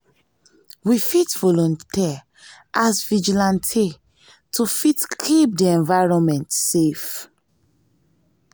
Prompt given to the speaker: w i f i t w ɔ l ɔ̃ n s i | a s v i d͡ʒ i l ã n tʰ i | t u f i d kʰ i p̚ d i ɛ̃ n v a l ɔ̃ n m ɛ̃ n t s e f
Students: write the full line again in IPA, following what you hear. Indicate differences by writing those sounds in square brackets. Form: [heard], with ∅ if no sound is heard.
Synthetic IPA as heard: w i f i t [v] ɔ l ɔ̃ n [t] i | a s v i d͡ʒ i l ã n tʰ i | t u f i [t] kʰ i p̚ d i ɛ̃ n v a [ɹ] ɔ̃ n m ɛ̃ n t s e f